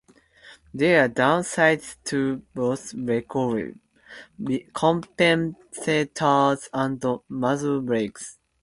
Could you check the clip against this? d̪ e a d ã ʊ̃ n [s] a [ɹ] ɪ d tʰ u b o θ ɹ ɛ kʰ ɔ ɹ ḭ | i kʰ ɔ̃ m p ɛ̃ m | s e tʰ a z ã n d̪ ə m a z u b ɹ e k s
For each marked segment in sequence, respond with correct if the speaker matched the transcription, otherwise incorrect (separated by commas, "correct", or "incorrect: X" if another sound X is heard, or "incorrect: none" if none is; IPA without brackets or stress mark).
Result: correct, incorrect: none